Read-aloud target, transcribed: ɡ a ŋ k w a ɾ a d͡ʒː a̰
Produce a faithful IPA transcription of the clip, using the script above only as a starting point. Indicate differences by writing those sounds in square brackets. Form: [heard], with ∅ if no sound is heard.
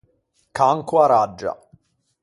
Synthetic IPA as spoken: [k] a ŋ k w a ɾ a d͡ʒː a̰